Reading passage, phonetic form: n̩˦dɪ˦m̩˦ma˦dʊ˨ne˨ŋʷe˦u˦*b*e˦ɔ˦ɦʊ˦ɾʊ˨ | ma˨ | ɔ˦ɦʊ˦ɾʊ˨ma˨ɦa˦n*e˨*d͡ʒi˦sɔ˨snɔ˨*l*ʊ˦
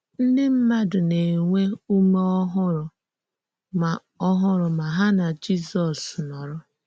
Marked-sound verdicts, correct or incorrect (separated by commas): incorrect, incorrect, incorrect